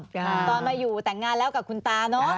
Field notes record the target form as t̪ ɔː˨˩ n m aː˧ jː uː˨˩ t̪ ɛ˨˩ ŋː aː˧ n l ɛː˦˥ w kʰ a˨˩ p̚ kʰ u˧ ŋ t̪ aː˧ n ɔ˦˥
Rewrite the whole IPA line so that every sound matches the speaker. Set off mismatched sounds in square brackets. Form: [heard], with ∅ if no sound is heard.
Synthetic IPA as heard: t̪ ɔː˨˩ n m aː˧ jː uː˨˩ t̪ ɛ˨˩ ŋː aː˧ n l ɛː˦˥ w [k] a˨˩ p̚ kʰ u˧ [n] t̪ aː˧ n ɔ˦˥